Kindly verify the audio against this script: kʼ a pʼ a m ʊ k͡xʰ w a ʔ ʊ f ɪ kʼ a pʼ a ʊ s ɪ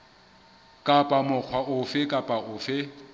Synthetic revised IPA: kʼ a pʼ a m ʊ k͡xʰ w a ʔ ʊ f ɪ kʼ a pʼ a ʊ f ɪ